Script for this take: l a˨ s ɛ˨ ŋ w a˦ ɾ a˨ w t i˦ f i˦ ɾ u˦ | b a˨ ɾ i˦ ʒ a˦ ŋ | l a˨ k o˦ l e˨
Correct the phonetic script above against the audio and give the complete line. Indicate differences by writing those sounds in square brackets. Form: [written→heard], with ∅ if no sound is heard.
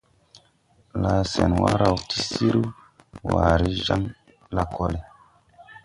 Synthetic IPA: l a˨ s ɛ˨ [ŋ→n] w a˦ ɾ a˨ w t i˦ [f→s] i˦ ɾ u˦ | [b→w] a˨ ɾ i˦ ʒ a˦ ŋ | l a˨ k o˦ l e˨